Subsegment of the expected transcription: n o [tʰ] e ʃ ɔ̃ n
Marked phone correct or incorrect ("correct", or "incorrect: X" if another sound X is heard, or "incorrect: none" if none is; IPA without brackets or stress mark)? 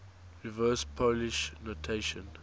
correct